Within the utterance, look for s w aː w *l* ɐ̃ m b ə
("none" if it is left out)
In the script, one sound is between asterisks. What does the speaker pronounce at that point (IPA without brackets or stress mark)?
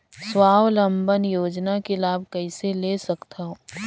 l